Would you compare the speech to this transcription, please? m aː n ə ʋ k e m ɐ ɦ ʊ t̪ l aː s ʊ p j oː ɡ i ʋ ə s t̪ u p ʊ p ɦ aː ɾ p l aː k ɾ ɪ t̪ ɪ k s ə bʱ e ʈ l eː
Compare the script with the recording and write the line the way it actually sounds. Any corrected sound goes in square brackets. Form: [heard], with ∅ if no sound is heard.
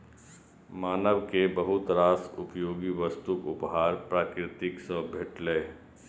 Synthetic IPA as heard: m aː n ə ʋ k e [b] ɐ ɦ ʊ t̪ [ɾ] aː s ʊ p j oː ɡ i ʋ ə s t̪ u [k] ʊ p ɦ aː ɾ p [ɾ] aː k ɾ ɪ t̪ ɪ k s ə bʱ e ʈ l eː